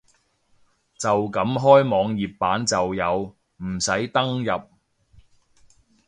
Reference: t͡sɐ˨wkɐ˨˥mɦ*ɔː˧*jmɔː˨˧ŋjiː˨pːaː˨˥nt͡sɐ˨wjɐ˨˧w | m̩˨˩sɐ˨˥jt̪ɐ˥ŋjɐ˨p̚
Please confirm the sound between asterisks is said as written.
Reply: no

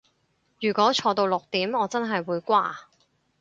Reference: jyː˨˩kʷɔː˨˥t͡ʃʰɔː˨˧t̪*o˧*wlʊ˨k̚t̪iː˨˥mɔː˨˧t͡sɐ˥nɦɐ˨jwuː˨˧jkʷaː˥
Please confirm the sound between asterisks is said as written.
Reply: yes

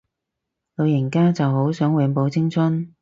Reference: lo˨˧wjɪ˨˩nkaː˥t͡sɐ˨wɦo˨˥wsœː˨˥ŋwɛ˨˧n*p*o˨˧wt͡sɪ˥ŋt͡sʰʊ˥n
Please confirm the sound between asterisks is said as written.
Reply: yes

